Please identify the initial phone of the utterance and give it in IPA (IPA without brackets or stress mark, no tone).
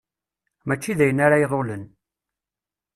m